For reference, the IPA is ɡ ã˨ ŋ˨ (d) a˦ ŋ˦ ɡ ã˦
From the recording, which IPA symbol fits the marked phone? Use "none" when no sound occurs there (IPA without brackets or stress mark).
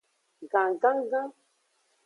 ɡ